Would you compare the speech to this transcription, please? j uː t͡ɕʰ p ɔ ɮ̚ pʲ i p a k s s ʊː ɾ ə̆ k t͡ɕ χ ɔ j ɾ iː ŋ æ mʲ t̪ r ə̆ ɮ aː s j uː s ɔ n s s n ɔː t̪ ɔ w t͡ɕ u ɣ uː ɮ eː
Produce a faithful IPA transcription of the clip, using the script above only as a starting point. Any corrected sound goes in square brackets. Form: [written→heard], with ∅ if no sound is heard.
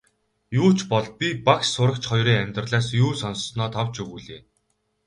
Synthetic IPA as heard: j uː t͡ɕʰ p ɔ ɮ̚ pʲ i p a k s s [ʊː→ʊ] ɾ ə̆ k t͡ɕ χ ɔ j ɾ iː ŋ æ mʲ t̪ r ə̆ ɮ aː s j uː s ɔ n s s n ɔː [t̪→t̪ʰ] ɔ w t͡ɕ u ɣ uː ɮ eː